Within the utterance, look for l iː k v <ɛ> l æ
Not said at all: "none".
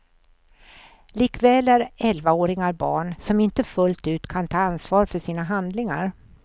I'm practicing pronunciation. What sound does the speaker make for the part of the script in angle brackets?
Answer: ɛː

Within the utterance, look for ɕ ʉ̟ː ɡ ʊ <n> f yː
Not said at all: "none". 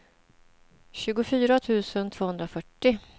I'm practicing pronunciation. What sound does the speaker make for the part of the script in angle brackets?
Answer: none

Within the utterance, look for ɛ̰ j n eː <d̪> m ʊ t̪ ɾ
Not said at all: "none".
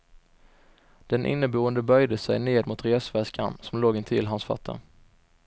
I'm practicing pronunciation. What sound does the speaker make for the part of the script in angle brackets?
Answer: d̪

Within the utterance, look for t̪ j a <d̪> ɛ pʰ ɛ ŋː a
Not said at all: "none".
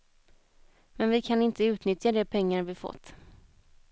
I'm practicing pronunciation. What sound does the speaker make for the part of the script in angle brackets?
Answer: d̪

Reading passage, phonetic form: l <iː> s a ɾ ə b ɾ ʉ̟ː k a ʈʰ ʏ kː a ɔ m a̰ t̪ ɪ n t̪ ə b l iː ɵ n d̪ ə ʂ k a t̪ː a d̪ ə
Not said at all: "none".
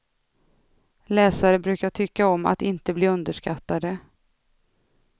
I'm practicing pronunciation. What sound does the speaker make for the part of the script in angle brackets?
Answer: ɛː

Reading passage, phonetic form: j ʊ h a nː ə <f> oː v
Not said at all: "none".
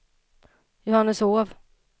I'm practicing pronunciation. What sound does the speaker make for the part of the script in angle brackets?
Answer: s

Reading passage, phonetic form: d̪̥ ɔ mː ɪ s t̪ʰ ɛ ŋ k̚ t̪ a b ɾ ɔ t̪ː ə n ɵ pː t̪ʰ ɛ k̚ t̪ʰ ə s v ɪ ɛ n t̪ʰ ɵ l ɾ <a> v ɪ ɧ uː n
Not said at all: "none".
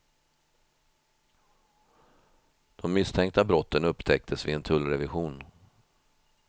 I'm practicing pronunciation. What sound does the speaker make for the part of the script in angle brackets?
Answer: ɛ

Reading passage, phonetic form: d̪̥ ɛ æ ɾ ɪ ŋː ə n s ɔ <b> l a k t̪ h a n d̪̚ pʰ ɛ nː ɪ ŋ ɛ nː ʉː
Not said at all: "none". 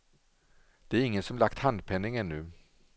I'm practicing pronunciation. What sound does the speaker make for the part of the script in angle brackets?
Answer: m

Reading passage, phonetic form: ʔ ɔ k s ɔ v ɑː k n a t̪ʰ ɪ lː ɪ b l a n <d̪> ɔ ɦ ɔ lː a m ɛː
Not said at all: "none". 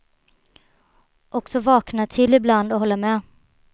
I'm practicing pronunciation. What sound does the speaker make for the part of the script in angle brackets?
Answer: d̪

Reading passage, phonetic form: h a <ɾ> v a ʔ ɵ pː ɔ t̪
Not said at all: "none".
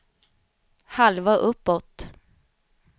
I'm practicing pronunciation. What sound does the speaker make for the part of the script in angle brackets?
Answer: l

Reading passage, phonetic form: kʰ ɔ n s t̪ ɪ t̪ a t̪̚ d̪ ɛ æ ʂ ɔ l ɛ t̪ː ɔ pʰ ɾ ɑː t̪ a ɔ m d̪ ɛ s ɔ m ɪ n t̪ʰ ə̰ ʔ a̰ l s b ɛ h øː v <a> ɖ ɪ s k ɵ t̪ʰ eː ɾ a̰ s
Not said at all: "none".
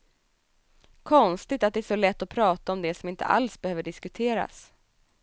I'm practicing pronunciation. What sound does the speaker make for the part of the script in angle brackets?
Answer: ə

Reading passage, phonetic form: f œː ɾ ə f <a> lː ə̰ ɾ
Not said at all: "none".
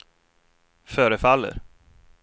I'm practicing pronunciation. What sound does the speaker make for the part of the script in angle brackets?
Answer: a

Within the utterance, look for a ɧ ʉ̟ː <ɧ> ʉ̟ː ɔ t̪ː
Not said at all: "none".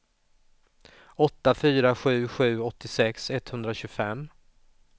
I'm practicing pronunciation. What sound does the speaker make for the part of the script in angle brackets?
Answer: ɧ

